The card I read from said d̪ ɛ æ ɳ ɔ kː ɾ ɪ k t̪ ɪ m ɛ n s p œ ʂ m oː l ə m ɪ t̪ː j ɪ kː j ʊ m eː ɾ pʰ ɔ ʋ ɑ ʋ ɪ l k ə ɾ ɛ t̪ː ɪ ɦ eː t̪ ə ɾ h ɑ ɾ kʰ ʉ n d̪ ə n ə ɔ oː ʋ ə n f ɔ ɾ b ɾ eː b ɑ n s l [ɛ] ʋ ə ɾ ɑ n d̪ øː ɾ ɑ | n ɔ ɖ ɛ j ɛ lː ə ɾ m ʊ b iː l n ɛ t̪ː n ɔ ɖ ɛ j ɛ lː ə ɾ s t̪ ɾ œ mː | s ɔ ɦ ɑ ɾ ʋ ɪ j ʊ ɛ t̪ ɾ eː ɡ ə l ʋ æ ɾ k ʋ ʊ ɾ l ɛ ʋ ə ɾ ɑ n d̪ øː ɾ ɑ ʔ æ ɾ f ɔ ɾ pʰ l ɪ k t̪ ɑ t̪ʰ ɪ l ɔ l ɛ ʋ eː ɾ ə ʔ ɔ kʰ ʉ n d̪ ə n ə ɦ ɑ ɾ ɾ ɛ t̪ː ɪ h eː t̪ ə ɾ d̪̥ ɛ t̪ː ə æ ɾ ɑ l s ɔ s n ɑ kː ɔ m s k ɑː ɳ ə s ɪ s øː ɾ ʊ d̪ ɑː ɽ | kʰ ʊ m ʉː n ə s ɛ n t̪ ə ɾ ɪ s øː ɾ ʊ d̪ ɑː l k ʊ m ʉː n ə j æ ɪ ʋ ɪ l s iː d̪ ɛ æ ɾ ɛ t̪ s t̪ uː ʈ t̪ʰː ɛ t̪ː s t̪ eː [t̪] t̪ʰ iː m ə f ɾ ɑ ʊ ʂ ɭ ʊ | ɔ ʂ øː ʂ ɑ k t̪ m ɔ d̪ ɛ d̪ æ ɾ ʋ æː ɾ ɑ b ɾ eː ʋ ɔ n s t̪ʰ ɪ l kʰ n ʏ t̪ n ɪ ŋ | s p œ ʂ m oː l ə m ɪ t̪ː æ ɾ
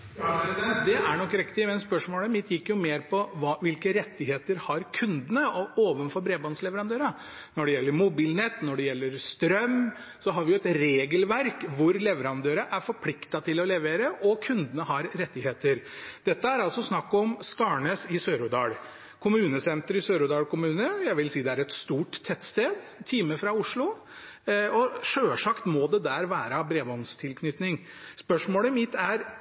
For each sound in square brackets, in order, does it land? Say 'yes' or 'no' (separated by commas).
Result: yes, no